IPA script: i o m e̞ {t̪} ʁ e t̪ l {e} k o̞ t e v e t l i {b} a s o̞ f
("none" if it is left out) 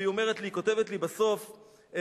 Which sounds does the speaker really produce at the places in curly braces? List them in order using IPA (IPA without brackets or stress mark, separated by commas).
none, i, b